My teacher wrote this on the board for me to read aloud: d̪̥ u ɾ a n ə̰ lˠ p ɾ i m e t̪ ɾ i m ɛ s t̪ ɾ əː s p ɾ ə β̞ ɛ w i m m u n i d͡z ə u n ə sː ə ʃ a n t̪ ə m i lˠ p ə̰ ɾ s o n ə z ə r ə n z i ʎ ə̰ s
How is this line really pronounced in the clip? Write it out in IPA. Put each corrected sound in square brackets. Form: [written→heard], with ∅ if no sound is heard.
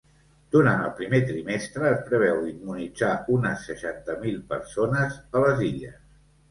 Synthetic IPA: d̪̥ u ɾ a n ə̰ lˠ p ɾ i m e t̪ ɾ i m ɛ s t̪ ɾ əː s p ɾ ə β̞ ɛ w i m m u n i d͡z [ə→a] u n ə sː ə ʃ a n t̪ ə m i lˠ p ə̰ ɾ s o n ə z ə [r→l] ə [n→∅] z i ʎ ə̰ s